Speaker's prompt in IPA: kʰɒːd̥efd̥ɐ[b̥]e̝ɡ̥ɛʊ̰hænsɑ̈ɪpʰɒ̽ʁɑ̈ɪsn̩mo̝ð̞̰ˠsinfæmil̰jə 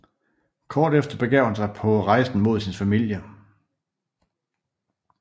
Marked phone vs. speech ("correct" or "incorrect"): correct